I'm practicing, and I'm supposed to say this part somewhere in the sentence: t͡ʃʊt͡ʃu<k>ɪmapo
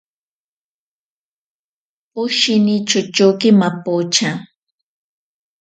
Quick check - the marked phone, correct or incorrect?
correct